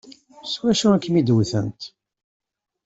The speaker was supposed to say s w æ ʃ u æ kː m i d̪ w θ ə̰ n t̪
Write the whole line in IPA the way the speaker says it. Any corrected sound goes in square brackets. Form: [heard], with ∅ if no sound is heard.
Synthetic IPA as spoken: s w æ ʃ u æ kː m i d̪ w θ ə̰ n t̪